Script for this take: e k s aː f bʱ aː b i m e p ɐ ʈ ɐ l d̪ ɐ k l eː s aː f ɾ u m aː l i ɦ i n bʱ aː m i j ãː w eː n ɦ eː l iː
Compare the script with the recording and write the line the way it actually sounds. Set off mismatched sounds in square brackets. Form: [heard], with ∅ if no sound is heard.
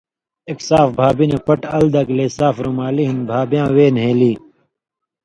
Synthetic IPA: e k s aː f bʱ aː b i [n] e p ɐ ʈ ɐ l d̪ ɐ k l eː s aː f ɾ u m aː l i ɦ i n bʱ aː [b] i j ãː w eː n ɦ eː l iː